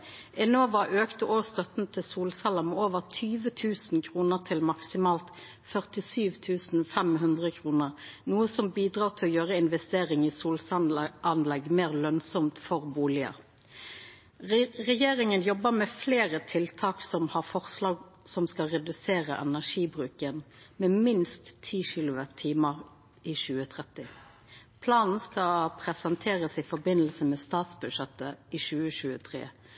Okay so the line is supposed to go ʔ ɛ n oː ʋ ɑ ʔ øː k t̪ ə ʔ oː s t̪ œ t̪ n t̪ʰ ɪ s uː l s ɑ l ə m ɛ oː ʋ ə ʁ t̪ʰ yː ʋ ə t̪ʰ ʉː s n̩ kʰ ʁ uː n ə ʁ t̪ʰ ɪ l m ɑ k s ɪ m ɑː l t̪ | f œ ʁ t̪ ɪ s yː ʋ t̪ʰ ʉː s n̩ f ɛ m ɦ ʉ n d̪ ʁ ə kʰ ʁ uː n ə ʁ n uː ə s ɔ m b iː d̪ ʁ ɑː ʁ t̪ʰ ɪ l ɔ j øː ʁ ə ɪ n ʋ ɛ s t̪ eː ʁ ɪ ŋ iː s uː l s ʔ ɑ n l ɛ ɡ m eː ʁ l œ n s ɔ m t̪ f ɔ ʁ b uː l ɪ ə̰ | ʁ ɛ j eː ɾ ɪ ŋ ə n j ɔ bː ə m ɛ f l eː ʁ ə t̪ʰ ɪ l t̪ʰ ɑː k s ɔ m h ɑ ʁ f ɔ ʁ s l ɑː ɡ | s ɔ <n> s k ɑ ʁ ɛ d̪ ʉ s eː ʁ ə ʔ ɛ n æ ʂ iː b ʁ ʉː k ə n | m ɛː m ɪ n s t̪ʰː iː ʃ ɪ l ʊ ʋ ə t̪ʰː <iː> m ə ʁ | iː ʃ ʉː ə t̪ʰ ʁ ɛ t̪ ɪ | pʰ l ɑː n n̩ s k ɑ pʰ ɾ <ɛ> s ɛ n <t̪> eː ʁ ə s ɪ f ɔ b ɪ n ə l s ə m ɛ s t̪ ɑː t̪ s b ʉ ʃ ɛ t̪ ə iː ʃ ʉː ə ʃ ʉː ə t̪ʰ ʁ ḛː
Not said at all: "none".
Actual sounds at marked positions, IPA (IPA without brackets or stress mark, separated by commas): m, iː, ɛ, t̪ʰ